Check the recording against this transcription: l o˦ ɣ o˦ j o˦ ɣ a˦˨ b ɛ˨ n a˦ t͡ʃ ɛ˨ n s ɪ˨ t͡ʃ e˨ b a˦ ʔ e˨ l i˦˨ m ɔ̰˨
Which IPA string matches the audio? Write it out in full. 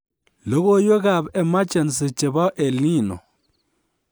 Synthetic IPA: l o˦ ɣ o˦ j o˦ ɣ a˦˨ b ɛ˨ m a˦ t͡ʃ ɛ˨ n s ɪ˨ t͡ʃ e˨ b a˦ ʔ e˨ l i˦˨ n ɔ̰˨